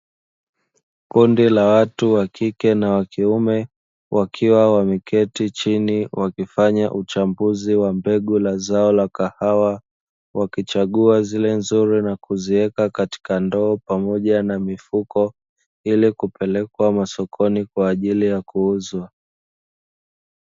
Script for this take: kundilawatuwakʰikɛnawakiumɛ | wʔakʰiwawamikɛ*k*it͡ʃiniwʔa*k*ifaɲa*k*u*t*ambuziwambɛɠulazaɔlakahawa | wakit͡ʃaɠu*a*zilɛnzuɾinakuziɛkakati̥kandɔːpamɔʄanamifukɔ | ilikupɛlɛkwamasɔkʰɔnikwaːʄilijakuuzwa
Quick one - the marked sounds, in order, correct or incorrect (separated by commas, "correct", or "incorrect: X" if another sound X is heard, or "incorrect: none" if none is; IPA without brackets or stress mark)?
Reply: incorrect: t, correct, incorrect: ʔ, incorrect: t͡ʃ, correct